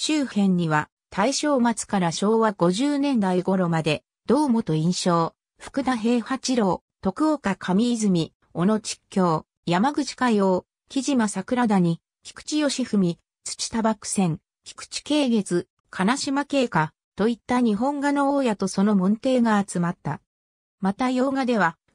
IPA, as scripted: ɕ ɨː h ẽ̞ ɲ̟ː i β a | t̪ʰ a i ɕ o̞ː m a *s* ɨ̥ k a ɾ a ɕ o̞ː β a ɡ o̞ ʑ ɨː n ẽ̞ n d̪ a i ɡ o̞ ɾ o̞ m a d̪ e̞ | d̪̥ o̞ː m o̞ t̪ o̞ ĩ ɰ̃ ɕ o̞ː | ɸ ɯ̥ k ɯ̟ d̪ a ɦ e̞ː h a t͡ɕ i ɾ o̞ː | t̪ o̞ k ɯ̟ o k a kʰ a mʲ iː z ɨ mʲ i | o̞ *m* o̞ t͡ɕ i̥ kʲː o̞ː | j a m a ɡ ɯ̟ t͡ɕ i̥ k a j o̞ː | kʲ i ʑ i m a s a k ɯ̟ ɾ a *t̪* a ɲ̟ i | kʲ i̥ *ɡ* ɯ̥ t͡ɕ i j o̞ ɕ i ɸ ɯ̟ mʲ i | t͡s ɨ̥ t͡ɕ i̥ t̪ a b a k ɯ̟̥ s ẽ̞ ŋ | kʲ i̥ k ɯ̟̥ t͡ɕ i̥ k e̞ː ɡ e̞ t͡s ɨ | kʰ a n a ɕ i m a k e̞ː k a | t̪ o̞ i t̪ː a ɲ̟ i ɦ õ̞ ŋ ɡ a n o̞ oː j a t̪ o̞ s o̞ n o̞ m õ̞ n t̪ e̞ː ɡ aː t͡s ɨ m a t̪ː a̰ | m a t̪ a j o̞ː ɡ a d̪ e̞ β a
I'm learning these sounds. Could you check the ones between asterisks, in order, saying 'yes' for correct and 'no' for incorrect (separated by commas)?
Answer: no, no, no, no